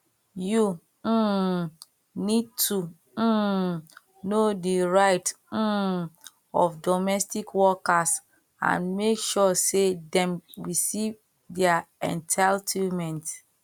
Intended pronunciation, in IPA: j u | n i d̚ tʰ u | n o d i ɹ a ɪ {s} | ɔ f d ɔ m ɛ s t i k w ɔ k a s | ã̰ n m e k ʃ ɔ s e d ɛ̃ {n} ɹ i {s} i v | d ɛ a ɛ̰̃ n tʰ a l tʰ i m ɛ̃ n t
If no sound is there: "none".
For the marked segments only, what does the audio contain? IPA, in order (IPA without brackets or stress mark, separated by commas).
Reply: t, m, s